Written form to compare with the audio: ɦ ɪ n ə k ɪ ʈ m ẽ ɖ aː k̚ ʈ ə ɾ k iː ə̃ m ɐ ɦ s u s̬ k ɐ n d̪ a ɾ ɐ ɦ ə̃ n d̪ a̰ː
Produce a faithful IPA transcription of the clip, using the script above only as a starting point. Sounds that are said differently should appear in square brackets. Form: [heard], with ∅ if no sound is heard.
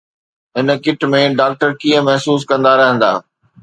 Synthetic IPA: ɦ ɪ n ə k ɪ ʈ m ẽ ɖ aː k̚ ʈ ə ɾ k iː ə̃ m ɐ ɦ s [uː] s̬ k [ɐ̃] n d̪ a ɾ ɐ ɦ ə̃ n d̪ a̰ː